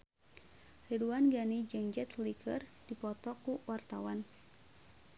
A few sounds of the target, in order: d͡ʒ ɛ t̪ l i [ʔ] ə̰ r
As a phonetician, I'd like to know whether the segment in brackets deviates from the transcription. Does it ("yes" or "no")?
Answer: yes